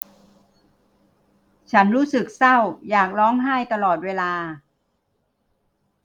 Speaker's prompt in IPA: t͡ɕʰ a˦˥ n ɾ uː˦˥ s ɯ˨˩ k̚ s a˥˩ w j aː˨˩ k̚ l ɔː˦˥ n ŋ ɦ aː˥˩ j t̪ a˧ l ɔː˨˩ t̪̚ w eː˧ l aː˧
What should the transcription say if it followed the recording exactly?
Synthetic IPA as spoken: t͡ɕʰ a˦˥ n ɾ uː˦˥ s ɯ˨˩ k̚ s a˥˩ w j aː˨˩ k̚ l ɔː˦˥ ŋ ɦ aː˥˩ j t̪ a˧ l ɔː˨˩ t̪̚ w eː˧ l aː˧